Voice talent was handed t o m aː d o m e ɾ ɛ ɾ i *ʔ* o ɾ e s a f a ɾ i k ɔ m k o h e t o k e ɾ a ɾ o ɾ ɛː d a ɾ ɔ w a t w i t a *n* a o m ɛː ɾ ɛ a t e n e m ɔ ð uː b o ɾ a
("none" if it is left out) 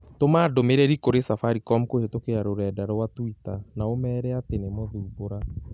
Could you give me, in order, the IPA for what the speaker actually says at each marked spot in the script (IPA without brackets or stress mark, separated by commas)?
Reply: k, n